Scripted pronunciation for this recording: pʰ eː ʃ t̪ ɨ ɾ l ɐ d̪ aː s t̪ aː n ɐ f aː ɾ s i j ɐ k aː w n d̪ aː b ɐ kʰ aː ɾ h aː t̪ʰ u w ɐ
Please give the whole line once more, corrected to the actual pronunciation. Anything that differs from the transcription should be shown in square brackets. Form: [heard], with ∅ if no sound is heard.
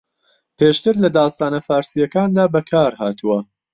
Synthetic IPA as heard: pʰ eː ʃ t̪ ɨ ɾ l ɐ d̪ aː s t̪ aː n ɐ f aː ɾ s i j ɐ k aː [∅] n d̪ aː b ɐ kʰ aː ɾ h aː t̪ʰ u w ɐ